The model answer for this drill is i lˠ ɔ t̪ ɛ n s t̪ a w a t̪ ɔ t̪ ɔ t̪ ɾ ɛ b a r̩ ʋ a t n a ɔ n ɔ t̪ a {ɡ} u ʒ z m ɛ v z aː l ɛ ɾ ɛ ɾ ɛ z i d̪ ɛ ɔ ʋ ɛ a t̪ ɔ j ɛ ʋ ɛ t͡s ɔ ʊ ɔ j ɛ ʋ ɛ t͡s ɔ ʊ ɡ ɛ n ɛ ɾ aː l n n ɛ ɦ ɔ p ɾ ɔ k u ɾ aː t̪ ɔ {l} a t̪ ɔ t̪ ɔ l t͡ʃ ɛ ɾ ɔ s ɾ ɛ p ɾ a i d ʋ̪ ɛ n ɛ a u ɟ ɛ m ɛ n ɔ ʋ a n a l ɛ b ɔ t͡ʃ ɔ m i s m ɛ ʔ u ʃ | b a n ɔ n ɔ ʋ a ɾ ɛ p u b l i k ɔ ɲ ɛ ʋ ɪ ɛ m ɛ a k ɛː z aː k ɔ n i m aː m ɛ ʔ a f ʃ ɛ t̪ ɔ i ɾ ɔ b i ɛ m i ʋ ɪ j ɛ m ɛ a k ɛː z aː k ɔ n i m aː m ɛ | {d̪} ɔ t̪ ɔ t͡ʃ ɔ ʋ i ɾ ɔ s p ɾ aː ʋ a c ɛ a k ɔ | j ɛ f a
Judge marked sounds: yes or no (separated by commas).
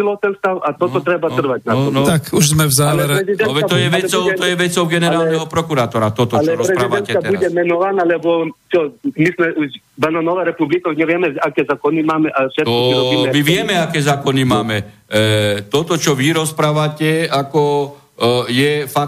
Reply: no, no, no